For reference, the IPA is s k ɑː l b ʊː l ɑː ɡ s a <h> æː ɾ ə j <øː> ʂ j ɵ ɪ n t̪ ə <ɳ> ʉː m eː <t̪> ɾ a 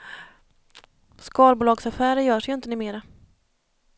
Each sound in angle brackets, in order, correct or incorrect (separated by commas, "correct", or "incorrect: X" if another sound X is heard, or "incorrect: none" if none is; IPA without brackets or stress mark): incorrect: f, incorrect: œː, incorrect: n, incorrect: none